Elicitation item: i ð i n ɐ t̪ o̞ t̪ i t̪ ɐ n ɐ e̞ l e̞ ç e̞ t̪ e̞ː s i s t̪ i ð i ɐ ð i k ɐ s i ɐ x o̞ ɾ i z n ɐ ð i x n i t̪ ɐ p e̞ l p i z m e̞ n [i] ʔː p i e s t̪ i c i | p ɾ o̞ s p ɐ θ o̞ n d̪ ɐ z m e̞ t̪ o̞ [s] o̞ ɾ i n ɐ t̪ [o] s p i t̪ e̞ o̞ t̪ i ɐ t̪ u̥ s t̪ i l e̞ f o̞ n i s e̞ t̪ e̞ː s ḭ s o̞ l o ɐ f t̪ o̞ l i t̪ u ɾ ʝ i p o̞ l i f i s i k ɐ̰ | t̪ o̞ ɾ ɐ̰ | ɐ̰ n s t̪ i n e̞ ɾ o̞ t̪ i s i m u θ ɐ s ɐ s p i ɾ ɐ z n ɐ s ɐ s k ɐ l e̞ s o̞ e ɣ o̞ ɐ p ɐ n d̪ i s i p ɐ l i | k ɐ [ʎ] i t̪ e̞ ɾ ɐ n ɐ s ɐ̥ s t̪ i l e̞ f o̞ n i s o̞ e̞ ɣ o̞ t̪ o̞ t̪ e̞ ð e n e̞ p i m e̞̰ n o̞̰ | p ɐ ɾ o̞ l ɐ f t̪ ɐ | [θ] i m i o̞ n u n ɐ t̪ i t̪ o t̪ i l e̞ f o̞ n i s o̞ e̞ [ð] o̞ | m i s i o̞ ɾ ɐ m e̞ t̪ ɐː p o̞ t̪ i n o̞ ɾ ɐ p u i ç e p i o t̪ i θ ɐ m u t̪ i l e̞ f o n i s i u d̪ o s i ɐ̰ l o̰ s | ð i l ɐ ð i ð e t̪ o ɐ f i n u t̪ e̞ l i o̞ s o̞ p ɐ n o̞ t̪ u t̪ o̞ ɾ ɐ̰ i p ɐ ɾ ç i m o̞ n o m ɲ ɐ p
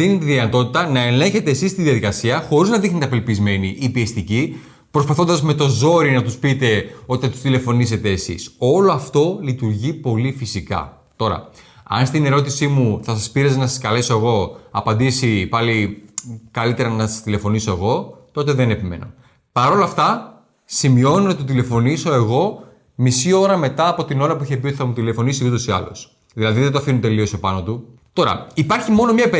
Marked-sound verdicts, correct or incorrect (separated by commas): correct, incorrect, incorrect, incorrect, incorrect, incorrect